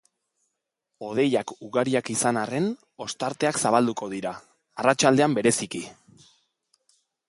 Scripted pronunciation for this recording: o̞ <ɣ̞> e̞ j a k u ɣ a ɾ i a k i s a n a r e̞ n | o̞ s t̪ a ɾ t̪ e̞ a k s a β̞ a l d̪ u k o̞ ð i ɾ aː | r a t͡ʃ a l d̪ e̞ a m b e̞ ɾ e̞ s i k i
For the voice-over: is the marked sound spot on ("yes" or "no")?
no